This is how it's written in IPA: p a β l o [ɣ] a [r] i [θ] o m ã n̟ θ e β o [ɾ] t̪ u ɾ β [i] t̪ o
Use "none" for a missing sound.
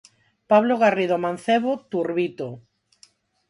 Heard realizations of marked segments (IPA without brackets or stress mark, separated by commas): ɣ, r, ð, none, i